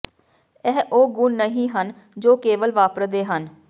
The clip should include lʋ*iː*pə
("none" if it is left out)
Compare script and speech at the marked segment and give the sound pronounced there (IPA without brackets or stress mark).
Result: aː